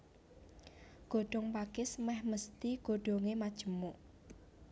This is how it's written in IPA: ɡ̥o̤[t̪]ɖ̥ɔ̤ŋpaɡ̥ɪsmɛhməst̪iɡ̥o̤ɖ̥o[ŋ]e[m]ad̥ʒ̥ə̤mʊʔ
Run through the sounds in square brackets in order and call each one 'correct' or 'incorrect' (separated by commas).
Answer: incorrect, correct, correct